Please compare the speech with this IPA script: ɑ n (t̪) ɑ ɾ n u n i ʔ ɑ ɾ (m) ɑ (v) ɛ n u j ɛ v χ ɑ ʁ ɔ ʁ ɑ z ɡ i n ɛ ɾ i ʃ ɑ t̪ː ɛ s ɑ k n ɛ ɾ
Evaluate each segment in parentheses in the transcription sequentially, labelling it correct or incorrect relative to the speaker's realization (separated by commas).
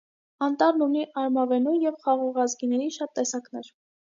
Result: correct, correct, correct